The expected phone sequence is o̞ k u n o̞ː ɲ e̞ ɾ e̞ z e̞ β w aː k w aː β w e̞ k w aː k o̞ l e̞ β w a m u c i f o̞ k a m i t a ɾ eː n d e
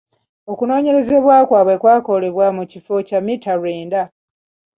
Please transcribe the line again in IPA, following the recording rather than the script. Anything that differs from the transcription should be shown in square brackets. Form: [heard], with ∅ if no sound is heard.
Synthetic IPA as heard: o̞ k u n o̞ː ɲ e̞ ɾ e̞ z e̞ β w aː k w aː β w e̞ k w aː k o̞ l e̞ β w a m u c i f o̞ [c] a m i t a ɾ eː n d [a]